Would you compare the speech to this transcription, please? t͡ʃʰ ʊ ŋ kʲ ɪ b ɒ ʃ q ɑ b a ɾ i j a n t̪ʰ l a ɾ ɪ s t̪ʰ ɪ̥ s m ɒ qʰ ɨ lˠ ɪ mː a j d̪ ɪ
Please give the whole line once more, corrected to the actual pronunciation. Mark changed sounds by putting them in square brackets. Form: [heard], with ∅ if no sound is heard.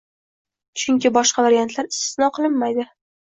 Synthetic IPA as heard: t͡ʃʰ ʊ ŋ kʲ ɪ b ɒ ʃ q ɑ [v] a ɾ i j a n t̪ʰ l a ɾ ɪ s [t̪] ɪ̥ s [n] ɒ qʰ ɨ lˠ ɪ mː a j d̪ ɪ